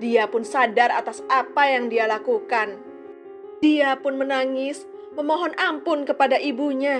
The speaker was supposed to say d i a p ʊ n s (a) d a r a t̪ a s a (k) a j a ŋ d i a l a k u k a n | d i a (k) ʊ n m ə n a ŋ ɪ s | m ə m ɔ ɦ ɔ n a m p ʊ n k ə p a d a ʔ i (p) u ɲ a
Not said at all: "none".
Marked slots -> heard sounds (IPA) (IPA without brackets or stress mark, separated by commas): a, p, p, b